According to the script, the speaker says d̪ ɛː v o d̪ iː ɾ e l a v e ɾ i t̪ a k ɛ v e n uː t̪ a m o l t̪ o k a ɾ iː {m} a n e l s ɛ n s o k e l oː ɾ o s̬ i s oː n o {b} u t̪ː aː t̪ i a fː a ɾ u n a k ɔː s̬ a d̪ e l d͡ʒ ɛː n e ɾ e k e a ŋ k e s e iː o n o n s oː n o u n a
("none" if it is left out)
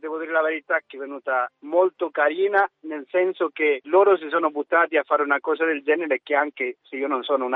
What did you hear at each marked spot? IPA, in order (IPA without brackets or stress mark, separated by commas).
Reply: n, b